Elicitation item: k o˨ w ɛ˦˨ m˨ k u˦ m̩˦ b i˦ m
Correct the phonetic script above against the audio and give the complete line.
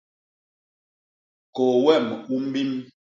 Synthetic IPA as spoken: k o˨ w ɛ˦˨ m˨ k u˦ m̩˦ b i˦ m